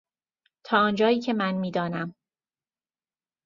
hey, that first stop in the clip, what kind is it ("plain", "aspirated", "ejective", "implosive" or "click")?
aspirated